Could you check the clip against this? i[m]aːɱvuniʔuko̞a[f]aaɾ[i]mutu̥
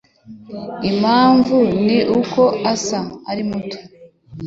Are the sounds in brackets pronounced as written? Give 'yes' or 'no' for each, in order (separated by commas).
yes, no, yes